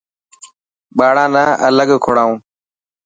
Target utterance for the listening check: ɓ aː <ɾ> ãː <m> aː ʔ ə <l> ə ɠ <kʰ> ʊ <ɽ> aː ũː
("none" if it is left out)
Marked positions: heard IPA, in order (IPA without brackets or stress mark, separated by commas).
ɽ, n, l, kʰ, ɽ